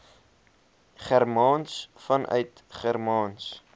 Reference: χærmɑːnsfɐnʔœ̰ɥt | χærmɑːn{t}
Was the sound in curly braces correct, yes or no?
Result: no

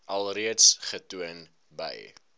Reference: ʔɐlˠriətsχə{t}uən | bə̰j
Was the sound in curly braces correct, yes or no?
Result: yes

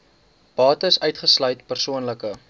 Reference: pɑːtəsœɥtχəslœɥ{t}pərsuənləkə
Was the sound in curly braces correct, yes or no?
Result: yes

